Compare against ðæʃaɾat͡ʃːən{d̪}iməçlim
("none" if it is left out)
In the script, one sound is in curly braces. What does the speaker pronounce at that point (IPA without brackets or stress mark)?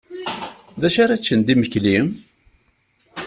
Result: d̪